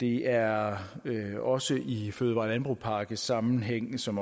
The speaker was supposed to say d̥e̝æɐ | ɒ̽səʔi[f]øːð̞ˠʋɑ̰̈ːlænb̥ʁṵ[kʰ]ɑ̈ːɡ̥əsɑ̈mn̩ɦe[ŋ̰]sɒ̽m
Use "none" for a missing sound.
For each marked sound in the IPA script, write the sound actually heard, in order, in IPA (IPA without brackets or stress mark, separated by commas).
f, pʰ, ŋ̰